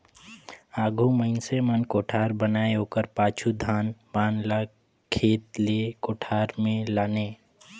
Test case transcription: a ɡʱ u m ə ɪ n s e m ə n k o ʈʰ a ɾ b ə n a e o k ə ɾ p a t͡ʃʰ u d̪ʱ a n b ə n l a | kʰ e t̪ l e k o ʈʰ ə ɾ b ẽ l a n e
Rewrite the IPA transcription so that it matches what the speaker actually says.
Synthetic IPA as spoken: a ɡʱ u m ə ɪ n s e m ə n k o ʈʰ a ɾ b ə n a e o k ə ɾ p a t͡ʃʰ u d̪ʱ a n b a n l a | kʰ e t̪ l e k o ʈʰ a ɾ m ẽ l a n e